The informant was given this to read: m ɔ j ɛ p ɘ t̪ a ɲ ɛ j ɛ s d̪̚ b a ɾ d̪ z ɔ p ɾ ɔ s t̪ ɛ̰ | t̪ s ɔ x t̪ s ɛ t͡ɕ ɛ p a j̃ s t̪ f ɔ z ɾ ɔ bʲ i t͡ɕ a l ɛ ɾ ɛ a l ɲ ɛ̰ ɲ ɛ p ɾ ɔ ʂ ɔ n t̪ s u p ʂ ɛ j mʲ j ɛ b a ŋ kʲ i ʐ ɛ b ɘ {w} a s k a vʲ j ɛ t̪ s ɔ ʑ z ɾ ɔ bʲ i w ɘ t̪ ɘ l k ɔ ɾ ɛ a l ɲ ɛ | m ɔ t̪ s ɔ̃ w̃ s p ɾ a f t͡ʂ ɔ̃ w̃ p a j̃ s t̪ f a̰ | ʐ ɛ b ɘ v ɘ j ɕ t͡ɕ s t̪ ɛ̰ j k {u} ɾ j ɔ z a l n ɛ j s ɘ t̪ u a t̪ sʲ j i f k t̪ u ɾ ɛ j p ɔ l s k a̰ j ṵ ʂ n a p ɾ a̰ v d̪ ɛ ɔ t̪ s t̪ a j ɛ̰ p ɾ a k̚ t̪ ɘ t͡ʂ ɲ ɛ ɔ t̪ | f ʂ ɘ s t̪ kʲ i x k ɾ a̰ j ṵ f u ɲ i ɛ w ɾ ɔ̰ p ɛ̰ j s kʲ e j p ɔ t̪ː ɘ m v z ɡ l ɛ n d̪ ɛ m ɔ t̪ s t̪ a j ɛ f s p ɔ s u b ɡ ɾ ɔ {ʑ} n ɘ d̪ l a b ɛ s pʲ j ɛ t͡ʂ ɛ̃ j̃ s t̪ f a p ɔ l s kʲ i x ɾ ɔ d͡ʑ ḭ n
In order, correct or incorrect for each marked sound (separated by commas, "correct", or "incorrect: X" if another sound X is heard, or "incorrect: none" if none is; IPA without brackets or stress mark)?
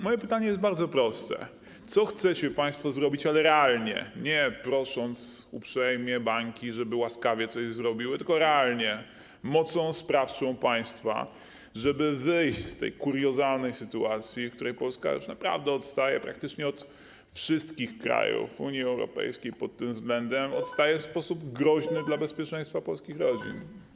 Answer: correct, correct, correct